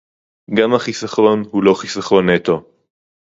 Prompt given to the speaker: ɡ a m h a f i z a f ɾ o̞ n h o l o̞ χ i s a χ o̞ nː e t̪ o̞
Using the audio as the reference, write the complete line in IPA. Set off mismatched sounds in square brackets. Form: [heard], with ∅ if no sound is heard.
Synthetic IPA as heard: ɡ a m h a [χ] i [s] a [χ] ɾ o̞ n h [u] l o̞ χ i s a χ o̞ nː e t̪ o̞